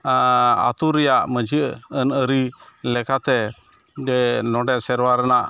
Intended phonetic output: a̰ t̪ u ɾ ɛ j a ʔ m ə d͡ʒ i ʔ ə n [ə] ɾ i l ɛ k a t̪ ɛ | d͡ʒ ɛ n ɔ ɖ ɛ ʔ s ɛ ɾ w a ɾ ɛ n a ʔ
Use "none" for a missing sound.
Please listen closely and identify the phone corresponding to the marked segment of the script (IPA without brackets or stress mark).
ə